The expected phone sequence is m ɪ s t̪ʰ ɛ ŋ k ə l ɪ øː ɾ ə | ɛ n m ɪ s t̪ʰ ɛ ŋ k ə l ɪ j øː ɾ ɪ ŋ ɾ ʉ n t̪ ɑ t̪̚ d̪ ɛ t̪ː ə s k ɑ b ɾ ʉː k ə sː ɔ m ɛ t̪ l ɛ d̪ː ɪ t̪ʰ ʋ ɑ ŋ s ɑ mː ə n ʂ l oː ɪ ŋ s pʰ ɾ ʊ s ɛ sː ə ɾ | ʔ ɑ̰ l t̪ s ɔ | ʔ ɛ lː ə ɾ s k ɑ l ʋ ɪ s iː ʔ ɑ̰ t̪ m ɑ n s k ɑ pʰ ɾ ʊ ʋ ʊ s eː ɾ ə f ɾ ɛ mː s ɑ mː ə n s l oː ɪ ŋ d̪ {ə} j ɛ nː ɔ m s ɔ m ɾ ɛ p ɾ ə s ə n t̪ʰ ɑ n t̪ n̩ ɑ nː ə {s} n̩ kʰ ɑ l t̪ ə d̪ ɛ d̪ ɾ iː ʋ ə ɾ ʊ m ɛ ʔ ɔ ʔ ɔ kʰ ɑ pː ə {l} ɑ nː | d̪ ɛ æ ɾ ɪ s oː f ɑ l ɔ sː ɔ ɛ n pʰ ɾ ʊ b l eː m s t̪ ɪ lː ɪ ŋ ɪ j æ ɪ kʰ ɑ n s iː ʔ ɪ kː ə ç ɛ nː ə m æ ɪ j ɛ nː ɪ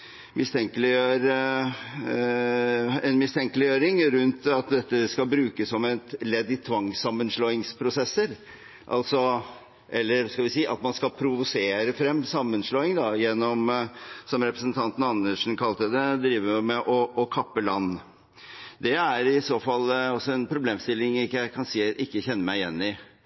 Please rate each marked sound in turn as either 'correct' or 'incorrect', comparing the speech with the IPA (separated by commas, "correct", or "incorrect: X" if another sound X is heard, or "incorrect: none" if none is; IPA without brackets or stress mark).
incorrect: ɑ, incorrect: ʂ, correct